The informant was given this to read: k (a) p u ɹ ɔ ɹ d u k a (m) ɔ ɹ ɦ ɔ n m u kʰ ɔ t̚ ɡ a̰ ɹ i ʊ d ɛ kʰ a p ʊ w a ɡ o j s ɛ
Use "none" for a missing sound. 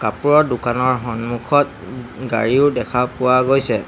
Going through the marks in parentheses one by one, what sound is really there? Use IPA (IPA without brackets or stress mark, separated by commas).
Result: a, n